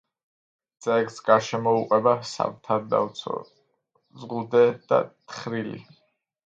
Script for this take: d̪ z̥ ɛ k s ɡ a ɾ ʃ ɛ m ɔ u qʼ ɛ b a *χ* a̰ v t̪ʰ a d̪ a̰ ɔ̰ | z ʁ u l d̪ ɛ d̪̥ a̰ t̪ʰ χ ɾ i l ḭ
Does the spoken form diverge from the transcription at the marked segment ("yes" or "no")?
yes